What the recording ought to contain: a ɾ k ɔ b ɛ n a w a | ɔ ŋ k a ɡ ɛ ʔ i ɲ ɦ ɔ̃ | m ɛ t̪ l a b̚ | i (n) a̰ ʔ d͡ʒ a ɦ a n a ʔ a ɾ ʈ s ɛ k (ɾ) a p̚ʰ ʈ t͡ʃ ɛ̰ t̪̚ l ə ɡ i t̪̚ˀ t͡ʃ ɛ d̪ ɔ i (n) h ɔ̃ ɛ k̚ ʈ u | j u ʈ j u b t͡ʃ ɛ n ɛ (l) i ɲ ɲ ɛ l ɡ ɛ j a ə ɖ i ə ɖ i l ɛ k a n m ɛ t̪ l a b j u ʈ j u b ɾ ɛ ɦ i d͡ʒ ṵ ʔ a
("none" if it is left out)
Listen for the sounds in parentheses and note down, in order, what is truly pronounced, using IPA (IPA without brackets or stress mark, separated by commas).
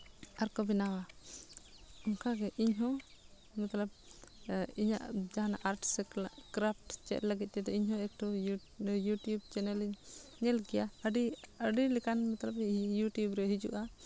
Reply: ɲ, ɾ, ɲ, l